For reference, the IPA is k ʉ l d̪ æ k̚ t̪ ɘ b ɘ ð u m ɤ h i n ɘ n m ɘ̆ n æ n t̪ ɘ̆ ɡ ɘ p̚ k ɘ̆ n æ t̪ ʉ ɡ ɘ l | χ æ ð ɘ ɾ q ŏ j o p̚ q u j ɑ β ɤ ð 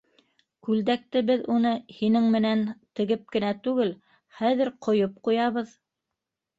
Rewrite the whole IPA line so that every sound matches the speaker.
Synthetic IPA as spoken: k ʉ l d̪ æ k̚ t̪ ɘ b ɘ ð u n ɤ h i n ɘ ŋ m ɘ̆ n æ n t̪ ɘ̆ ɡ ɘ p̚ k ɘ̆ n æ t̪ ʉ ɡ ɘ l | χ æ ð ɘ ɾ q ŏ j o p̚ q u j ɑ β ɤ ð